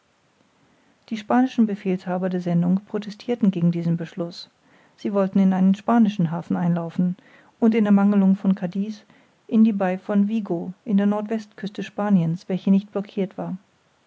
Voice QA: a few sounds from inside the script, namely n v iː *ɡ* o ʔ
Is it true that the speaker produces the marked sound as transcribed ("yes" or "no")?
yes